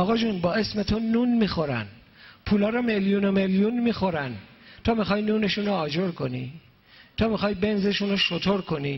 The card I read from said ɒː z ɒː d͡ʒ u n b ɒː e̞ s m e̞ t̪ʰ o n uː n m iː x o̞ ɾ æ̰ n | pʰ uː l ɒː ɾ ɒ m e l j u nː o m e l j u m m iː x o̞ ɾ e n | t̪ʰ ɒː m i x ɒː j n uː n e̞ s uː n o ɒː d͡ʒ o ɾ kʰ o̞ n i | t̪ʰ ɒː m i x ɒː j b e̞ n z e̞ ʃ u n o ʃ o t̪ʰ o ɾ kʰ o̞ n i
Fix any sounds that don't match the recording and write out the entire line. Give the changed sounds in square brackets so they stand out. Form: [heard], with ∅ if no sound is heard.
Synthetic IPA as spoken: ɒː [ɣ] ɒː d͡ʒ u n b ɒː e̞ s m e̞ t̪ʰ o n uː n m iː x o̞ ɾ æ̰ n | pʰ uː l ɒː ɾ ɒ m e l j u [n] o m e l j u [n] m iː x o̞ ɾ [æ] n | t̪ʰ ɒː m i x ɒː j n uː n e̞ [ʃ] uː n o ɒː d͡ʒ o ɾ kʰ o̞ n i | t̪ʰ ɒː m i x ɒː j b e̞ n z e̞ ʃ u n o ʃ o t̪ʰ o ɾ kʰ o̞ n i